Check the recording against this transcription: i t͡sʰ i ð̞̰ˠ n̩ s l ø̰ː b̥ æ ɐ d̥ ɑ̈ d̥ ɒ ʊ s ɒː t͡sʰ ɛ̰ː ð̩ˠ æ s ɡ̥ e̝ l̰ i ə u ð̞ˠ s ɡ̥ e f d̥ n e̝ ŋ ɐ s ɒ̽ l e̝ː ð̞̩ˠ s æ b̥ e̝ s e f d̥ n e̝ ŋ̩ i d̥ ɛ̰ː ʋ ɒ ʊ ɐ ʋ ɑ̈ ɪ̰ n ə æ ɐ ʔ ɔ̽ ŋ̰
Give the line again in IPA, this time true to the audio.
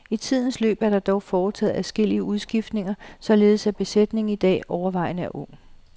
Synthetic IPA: i t͡sʰ i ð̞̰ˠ n̩ s l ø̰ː b̥ æ ɐ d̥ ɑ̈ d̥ ɒ ʊ f ɒː t͡sʰ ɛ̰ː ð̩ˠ æ s ɡ̥ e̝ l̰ i ə u ð̞ˠ s ɡ̥ i f d̥ n e̝ ŋ ɐ s ɒ̽ l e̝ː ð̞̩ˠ s æ b̥ e̝ s e d̥ n e̝ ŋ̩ i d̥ ɛ̰ː ɒ ʊ ɐ ʋ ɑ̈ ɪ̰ n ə æ ɐ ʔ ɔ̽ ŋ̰

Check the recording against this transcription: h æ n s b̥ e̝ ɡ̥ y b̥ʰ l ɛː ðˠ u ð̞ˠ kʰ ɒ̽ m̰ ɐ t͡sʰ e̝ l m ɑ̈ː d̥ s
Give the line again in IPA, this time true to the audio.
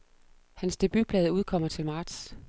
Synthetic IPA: h æ n s d̥ e̝ b̥ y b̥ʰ l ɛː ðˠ u ð̞ˠ kʰ ɒ̽ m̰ ɐ t͡sʰ e̝ l m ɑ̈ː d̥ s

